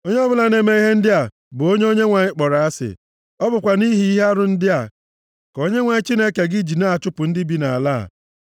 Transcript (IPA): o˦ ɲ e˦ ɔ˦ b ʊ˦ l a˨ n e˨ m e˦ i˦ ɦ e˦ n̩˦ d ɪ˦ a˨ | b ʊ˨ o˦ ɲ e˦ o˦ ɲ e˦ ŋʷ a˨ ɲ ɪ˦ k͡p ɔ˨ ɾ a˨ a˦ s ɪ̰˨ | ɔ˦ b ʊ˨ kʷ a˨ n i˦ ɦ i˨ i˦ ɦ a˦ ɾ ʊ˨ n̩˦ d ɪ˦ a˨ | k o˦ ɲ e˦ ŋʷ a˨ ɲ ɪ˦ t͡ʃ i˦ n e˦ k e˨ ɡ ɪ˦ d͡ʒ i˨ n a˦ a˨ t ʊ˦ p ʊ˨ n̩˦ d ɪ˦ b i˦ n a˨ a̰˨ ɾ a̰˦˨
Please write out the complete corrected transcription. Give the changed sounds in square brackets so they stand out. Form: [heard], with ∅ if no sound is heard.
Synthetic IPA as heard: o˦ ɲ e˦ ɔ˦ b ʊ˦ l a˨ n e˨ m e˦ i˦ ɦ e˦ n̩˦ d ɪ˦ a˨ | b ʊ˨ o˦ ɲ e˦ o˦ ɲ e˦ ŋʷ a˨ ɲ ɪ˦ k͡p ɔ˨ ɾ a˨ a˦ s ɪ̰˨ | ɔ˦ b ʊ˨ kʷ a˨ n i˦ ɦ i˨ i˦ ɦ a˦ ɾ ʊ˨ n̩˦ d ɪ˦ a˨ | k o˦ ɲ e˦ ŋʷ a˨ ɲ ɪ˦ t͡ʃ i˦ n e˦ k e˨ ɡ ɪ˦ d͡ʒ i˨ n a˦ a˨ [t͡ʃ] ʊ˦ p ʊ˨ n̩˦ d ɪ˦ b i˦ n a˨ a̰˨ [l] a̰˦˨